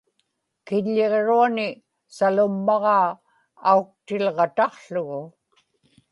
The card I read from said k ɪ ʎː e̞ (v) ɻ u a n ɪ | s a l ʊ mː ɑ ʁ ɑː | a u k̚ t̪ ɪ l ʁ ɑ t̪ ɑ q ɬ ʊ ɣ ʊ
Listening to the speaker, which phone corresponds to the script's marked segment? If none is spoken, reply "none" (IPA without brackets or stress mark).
ʁ